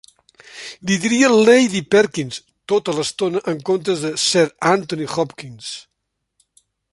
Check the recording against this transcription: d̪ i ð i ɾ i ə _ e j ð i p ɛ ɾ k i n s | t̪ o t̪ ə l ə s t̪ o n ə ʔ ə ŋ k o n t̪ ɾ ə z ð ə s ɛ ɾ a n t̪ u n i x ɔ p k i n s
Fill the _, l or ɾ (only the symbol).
l